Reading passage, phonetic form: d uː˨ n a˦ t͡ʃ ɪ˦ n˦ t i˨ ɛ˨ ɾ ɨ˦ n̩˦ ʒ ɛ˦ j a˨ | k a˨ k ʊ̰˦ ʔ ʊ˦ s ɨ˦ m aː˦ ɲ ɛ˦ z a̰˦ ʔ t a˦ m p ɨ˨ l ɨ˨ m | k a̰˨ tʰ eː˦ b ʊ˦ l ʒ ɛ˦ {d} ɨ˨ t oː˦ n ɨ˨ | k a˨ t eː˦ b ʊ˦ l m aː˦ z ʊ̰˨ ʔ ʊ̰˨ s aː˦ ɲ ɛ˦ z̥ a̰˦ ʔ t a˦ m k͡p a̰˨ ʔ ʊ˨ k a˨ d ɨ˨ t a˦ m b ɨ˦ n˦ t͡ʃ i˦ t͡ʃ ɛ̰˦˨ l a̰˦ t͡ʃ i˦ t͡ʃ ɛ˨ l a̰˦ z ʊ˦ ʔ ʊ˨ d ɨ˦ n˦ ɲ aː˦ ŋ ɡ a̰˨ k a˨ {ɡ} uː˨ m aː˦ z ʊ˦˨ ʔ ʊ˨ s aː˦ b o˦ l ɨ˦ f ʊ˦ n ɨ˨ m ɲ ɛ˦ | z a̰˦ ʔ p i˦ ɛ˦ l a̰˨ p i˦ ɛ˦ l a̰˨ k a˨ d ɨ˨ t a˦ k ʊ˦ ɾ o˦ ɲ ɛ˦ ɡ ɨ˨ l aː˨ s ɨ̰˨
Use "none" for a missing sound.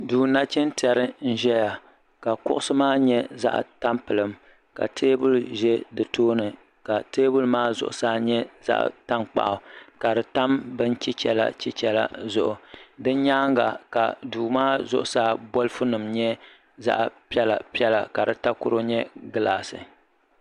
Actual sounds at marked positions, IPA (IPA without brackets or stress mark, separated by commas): d, d